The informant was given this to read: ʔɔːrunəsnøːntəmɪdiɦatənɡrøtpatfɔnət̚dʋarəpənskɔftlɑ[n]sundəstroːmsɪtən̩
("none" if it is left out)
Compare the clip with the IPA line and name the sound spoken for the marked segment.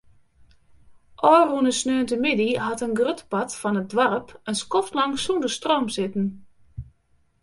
ŋ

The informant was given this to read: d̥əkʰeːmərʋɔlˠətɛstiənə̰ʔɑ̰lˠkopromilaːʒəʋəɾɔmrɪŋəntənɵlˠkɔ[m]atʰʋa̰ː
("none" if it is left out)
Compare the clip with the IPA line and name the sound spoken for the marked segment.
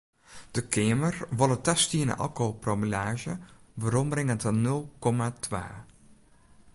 m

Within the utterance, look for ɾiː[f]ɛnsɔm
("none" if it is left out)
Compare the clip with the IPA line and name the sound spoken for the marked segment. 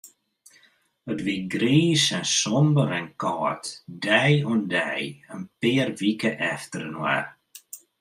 s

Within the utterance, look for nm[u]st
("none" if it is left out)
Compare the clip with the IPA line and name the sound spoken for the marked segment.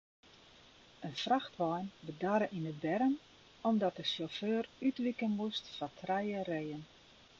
u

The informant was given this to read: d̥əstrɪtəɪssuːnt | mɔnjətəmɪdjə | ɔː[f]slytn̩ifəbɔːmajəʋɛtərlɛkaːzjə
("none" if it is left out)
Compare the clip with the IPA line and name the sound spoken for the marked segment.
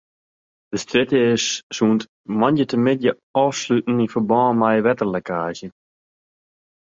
f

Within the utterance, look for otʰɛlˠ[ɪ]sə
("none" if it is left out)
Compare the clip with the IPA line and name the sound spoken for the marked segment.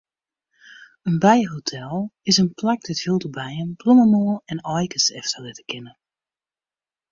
ɪ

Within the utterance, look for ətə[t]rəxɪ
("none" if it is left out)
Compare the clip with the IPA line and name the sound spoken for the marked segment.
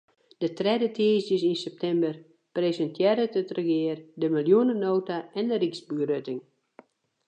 t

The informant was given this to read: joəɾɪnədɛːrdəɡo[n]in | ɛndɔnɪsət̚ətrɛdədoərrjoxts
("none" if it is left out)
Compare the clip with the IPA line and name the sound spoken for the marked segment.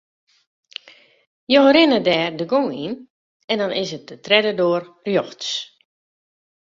ŋ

